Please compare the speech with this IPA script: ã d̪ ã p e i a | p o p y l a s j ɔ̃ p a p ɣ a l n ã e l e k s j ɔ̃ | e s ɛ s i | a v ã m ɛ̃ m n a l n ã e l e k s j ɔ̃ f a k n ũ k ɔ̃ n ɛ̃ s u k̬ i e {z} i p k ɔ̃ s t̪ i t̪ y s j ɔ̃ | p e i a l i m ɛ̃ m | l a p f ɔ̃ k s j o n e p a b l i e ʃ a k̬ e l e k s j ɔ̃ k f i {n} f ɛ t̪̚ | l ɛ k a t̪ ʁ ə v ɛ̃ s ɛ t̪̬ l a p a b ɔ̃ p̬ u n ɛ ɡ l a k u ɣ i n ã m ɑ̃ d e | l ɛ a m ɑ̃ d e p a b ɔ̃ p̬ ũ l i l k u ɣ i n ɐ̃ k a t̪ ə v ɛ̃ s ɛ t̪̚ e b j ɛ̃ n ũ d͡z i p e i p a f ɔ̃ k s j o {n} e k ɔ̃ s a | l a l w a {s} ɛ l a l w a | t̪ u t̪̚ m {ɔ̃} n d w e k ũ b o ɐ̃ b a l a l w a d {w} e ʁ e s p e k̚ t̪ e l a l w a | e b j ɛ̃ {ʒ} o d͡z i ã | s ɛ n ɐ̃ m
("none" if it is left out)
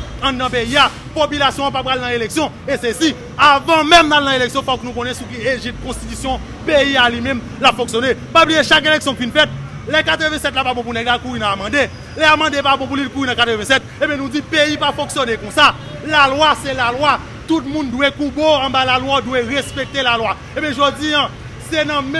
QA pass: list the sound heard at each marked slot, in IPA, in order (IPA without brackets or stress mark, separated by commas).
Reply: ʒ, n, n, s, ũ, w, ʒ